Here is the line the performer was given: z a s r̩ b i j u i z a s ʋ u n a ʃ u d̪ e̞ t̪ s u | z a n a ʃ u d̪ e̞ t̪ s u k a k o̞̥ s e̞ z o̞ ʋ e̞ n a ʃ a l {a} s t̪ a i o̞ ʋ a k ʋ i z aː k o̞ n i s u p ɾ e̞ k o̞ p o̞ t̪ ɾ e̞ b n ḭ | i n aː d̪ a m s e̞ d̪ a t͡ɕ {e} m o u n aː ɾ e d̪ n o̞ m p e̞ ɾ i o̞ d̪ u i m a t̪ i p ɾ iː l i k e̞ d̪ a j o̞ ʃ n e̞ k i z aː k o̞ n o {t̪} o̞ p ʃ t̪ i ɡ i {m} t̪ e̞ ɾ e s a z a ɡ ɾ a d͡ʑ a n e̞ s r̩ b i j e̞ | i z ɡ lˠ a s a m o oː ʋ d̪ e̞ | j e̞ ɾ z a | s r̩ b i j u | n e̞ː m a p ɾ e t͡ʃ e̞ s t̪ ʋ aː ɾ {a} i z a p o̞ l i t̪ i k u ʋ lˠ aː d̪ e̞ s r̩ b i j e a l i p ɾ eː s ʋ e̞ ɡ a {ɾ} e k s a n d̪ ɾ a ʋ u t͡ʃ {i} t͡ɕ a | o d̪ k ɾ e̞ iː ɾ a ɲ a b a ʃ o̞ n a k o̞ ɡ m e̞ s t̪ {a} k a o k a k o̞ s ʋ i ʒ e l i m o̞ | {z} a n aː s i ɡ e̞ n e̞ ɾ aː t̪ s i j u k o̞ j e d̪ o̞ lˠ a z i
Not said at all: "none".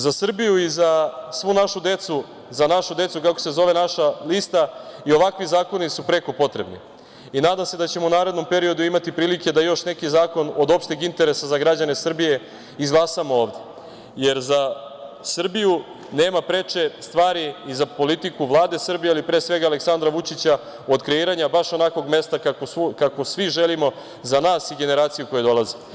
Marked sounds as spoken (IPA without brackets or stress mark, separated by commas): i, e, d̪, n, i, l, i, a, z